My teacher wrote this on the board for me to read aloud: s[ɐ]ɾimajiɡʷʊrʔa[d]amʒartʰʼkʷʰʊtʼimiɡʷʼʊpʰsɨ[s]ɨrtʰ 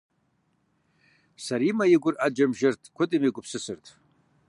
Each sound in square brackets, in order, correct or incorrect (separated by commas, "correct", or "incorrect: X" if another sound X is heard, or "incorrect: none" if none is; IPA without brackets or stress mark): incorrect: a, incorrect: d͡ʒ, correct